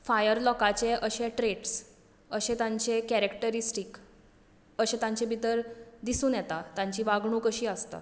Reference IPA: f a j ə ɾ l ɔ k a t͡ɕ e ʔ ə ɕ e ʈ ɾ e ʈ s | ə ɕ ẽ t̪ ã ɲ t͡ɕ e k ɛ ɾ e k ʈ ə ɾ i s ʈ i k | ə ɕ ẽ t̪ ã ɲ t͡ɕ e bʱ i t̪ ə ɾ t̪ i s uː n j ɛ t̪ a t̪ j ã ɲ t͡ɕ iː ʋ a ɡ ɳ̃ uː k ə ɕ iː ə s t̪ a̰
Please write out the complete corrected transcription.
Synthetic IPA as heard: f a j ə ɾ l ɔ k a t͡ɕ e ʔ ə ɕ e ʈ ɾ e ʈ s | ə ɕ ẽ t̪ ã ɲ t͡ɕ e k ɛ ɾ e k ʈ ə ɾ i s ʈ i k | ə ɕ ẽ t̪ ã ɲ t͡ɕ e bʱ i t̪ ə ɾ d̪ i s uː n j ɛ t̪ a t̪ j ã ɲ t͡ɕ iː ʋ a ɡ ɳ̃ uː k ə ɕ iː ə s t̪ a̰

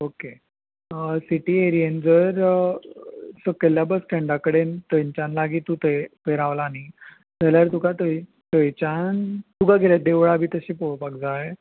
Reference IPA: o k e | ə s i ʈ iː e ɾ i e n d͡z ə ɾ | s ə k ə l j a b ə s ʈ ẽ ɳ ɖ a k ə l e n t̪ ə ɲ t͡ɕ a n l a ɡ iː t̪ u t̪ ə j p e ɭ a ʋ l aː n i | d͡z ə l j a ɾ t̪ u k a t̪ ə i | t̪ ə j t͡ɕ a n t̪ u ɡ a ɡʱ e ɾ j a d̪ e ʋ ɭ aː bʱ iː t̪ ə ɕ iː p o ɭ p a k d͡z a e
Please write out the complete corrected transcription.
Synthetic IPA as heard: o k e | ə s i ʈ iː e ɾ i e n d͡z ə ɾ | s ə k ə l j a b ə s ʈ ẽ ɳ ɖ a k ə ɽ e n t̪ ə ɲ t͡ɕ a n l a ɡ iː t̪ u t̪ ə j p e ɾ a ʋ l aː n i | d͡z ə l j a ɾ t̪ u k a t̪ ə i | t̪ ə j t͡ɕ a n t̪ u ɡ a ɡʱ e l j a d̪ e ʋ ɭ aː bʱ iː t̪ ə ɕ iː p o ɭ p a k d͡z a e

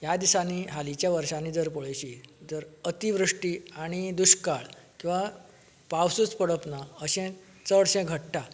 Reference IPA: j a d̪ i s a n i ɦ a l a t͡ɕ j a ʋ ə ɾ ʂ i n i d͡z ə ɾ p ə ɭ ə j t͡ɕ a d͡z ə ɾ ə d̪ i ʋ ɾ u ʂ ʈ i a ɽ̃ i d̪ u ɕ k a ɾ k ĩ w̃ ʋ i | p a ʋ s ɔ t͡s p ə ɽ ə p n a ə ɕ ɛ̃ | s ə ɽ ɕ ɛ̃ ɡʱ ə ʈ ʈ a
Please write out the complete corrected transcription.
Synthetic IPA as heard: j a d̪ i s a n i ɦ a l i t͡ɕ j a ʋ ə ɾ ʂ a n i d͡z ə ɾ p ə ɭ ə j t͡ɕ i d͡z ə ɾ ə t̪ i ʋ ɾ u ʂ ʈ i a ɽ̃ i d̪ u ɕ k a ɭ k ĩ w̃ ʋ a | p a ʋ s u t͡s p ə ɽ ə p n a ə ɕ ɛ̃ | t͡s ə ɽ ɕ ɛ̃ ɡʱ ə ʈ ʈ a

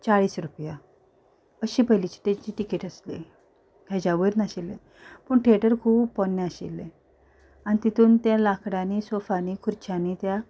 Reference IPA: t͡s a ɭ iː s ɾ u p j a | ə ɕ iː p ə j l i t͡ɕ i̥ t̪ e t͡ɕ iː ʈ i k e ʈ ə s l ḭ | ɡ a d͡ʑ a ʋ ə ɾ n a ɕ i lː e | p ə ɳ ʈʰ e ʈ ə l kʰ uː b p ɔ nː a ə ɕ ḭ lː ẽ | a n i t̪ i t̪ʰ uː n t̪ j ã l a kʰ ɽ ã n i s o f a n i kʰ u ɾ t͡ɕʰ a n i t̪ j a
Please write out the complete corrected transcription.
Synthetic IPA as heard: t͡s a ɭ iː s ɾ u p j a | ə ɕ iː p ə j l i t͡ɕ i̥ t̪ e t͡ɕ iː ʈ i k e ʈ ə s l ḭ | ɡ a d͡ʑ a ʋ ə ɾ n a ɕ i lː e | p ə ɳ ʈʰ e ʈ ə ɾ kʰ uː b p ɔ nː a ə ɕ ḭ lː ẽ | a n i t̪ i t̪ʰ uː n t̪ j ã l a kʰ ɽ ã n i s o f a n i kʰ u ɾ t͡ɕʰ a n i t̪ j a

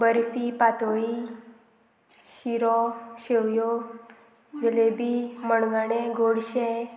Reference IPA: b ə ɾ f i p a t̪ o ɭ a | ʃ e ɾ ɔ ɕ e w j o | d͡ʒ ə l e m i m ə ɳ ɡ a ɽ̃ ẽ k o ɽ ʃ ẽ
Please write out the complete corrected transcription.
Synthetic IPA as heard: b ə ɾ f i p a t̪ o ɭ i | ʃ i ɾ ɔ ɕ e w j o | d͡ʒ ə l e b i m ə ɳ ɡ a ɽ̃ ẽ ɡ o ɽ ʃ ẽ

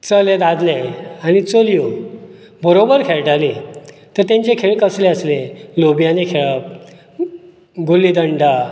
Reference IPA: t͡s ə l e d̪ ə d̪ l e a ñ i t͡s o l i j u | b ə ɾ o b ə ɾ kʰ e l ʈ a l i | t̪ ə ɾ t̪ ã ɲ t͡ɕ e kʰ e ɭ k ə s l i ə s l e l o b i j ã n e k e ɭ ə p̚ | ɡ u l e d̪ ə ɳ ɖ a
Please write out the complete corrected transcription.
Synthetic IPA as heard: t͡s ə l e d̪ a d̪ l e a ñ i t͡s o l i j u | b ə ɾ o b ə ɾ kʰ e ɭ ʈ a l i | t̪ ə ɾ t̪ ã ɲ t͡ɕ e kʰ e ɭ k ə s l e ə s l e l o b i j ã n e kʰ e ɭ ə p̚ | ɡ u l i d̪ ə ɳ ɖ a

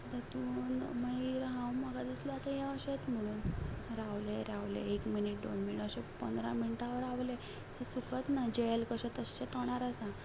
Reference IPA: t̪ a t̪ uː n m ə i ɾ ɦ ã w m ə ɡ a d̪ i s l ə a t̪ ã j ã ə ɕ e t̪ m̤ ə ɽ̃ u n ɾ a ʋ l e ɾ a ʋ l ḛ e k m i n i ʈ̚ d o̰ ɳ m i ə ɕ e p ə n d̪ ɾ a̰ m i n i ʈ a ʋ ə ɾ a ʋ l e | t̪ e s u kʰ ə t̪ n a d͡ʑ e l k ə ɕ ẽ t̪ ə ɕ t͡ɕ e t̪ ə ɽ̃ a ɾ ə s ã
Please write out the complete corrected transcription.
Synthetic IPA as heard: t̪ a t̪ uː n m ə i ɾ ɦ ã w m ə ɡ a d̪ i s l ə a t̪ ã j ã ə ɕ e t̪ m̤ ə ɽ̃ uː n ɾ a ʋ l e ɾ a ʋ l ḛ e k m i n i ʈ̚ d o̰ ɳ m i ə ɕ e p ə n d̪ ɾ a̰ m i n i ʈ a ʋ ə ɾ a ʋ l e | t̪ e s u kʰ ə t̪ n a d͡ʑ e l k ə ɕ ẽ t̪ ə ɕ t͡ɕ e t̪ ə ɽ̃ a ɾ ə s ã

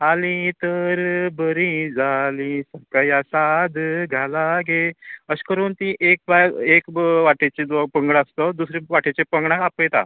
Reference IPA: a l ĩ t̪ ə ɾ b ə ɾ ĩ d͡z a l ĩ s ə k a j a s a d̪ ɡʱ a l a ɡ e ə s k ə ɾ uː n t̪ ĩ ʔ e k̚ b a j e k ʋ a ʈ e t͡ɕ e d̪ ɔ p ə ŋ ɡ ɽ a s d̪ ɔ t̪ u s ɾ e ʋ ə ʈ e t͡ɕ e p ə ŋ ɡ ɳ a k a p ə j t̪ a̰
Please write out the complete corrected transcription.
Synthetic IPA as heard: a l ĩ t̪ ə ɾ b ə ɾ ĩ d͡z a l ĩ s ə k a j a s a d̪ ɡʱ a l a ɡ e ə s k ə ɾ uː n t̪ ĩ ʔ e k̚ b a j e k ʋ a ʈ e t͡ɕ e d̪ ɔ p ə ŋ ɡ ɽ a s t̪ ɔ d̪ u s ɾ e ʋ a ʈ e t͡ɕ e p ə ŋ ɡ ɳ a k a p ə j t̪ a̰

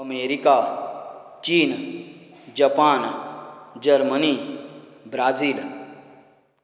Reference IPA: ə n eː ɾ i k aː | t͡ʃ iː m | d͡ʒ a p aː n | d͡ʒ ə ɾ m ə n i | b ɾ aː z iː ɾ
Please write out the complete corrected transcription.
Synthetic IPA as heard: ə m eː ɾ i k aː | t͡ʃ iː n | d͡ʒ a p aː n | d͡ʒ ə ɾ m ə n i | b ɾ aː z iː l

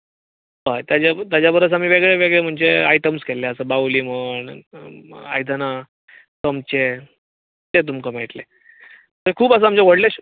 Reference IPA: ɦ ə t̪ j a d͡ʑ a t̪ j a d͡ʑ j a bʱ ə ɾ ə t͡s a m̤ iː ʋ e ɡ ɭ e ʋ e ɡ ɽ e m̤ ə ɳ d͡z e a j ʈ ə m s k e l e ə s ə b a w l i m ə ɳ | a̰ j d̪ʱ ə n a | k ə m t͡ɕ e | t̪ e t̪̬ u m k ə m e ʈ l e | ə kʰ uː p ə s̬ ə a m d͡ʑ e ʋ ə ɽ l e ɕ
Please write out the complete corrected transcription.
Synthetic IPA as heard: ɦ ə t̪ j a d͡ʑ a t̪ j a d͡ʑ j a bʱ ə ɾ ə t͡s a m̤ iː ʋ e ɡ ɭ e ʋ e ɡ ɭ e m̤ ə ɳ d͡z e a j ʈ ə m s k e l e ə s ə b a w l i m ə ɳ | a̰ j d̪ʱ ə n a | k ə m t͡ɕ e | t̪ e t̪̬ u m k ə m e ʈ l e | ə kʰ uː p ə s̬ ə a m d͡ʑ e ʋ ə ɽ l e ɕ

